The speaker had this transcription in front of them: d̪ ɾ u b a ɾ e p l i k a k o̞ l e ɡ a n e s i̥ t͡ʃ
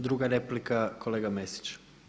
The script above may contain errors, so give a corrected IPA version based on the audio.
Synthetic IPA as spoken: d̪ ɾ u ɡ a ɾ e p l i k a k o̞ l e ɡ a m e s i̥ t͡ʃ